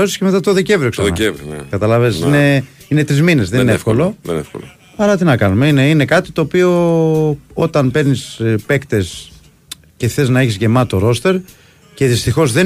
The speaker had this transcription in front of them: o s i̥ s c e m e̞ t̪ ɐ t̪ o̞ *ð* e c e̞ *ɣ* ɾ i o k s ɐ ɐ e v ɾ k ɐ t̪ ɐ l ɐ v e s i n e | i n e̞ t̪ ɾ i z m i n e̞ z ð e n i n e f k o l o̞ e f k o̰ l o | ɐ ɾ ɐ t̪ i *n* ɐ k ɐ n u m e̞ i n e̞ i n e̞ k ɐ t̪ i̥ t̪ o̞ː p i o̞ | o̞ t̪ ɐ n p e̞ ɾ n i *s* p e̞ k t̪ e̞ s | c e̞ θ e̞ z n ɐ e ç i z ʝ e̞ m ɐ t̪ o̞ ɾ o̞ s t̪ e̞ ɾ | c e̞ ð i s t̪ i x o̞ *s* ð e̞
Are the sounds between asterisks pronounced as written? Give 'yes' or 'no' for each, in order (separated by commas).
yes, no, yes, yes, no